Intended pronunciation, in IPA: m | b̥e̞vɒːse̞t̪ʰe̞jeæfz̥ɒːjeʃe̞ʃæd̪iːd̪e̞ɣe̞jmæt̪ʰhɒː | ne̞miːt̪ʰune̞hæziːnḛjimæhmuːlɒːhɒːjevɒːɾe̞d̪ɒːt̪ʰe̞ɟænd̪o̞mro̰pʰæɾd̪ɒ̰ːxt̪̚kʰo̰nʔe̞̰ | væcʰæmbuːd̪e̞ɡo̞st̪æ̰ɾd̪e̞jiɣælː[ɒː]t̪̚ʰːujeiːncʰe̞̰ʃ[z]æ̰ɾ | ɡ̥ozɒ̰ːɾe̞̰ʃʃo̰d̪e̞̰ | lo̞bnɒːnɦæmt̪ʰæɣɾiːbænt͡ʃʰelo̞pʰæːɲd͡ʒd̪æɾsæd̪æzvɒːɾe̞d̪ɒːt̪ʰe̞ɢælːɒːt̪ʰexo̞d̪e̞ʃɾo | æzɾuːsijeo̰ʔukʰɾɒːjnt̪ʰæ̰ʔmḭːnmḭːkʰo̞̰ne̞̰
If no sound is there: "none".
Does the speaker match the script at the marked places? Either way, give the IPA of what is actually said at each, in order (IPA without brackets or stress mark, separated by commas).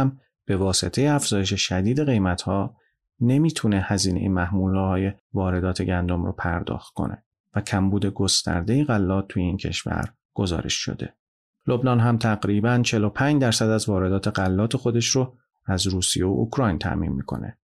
ɒː, v